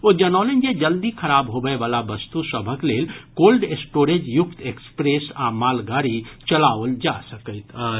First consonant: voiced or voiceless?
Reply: voiced